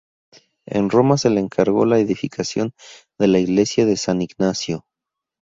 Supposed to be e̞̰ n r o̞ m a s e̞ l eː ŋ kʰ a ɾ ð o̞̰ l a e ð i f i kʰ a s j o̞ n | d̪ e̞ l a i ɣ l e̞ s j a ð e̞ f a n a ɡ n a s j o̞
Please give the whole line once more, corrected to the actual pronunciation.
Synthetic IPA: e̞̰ n r o̞ m a s e̞ l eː ŋ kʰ a ɾ ɣ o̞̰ l a e ð i f i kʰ a s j o̞ n | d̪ e̞ l a i ɣ l e̞ s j a ð e̞ s a n i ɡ n a s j o̞